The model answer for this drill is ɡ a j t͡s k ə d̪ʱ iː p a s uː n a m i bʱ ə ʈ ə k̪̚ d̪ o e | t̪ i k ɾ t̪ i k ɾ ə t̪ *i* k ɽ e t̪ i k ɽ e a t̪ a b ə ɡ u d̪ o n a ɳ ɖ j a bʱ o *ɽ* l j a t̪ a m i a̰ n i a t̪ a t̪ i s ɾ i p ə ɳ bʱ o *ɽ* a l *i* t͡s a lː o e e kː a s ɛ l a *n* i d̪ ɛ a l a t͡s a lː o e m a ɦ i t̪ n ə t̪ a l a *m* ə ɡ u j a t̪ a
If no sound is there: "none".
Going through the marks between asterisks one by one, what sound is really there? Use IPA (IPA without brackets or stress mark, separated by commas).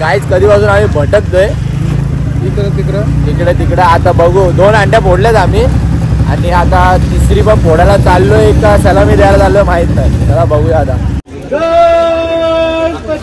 i, ɽ, ɽ, a, m, b